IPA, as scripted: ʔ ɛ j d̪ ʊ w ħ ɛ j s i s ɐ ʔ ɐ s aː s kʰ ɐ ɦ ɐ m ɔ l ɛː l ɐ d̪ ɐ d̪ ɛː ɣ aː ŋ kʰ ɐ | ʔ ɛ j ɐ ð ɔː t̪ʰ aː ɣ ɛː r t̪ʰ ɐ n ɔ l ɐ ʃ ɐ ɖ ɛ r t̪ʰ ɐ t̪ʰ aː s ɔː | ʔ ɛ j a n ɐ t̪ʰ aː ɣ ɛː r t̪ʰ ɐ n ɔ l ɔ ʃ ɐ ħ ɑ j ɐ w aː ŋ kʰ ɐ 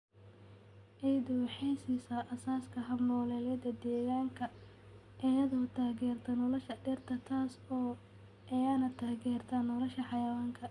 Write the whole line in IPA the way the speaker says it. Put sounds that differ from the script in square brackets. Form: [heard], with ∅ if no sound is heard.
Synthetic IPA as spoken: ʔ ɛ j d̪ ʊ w ħ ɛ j s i s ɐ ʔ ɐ s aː s kʰ ɐ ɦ ɐ m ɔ l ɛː l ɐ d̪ ɐ d̪ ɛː ɣ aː ŋ kʰ ɐ | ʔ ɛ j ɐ ð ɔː t̪ʰ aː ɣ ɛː r t̪ʰ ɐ n ɔ l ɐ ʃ ɐ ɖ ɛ r t̪ʰ ɐ t̪ʰ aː s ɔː | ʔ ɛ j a n ɐ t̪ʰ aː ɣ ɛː r t̪ʰ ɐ n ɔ l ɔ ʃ ɐ ħ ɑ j ɐ w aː ŋ kʰ ɐ